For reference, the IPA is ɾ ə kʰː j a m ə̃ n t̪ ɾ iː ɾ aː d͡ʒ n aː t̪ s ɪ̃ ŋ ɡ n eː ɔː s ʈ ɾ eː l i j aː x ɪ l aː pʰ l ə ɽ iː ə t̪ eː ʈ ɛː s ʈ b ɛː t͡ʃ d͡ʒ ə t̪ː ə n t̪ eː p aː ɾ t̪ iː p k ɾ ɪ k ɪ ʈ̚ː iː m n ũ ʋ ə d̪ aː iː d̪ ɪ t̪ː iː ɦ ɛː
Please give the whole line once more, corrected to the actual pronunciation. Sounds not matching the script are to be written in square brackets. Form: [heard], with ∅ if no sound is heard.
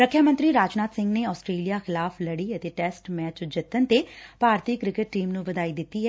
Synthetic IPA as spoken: ɾ ə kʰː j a m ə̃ n t̪ ɾ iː ɾ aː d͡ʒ n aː t̪ s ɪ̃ ŋ ɡ n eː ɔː s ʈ ɾ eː l i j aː x ɪ l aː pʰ l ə ɽ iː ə t̪ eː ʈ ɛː s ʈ [m] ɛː t͡ʃ d͡ʒ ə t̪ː ə n t̪ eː p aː ɾ t̪ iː [∅] k ɾ ɪ k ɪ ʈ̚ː iː m n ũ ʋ ə d̪ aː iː d̪ ɪ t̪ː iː ɦ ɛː